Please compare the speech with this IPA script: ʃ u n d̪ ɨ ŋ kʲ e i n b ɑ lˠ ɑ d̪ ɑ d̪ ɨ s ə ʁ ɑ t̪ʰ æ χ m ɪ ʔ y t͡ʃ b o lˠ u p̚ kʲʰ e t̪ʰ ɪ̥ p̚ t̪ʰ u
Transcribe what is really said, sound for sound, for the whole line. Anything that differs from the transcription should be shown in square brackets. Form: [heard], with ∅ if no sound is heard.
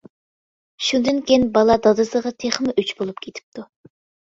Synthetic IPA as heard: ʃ u n d̪ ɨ [n] kʲ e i n b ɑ lˠ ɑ d̪ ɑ d̪ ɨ s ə ʁ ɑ t̪ʰ [e] χ m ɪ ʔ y t͡ʃ b o lˠ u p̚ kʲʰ e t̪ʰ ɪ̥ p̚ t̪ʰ u